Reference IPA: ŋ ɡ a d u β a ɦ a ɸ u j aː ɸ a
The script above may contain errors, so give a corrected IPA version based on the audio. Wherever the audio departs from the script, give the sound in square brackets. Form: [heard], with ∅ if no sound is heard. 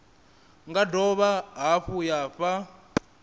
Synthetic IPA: ŋ ɡ a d [ɔ] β a ɦ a ɸ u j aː ɸ a